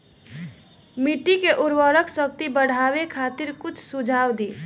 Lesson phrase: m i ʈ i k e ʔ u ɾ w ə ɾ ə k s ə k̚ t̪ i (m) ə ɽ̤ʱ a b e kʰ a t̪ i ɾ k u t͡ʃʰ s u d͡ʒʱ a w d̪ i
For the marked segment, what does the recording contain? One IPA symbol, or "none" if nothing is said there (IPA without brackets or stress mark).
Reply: b